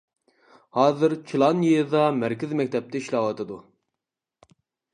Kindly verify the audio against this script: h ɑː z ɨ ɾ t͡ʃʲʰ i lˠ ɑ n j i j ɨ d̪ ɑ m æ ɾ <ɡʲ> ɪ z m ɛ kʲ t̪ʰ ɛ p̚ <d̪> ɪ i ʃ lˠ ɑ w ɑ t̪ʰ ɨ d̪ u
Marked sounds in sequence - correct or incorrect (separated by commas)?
incorrect, incorrect